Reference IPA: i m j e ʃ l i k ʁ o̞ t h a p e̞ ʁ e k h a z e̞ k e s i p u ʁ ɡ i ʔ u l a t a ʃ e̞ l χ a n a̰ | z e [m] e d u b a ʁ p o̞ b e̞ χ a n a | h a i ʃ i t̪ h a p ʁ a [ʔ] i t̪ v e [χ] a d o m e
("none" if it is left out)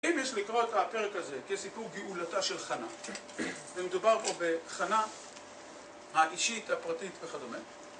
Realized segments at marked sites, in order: m, t, χ

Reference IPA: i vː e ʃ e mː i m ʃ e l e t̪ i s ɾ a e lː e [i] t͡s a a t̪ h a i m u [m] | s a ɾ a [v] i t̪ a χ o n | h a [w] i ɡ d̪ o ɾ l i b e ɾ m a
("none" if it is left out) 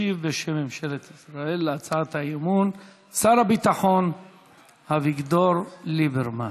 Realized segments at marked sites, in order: a, n, b, v

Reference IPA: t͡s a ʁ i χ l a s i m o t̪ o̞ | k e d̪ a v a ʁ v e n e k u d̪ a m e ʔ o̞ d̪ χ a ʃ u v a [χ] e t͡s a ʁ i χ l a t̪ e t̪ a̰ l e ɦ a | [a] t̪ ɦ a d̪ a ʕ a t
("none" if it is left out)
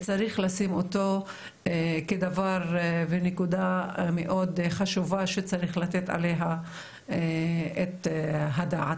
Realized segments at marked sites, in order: ʃ, e

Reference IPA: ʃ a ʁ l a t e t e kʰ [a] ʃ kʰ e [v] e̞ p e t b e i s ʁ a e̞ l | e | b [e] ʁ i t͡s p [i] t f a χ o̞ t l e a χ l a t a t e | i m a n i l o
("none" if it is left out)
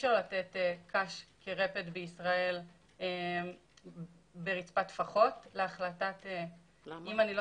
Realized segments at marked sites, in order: a, ʁ, e, a

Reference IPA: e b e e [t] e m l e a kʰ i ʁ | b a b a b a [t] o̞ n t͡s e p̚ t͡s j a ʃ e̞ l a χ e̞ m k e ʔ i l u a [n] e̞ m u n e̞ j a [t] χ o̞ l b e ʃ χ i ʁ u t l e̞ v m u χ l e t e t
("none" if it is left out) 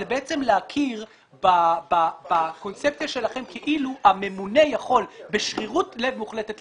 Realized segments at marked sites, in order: t͡s, k, m, none

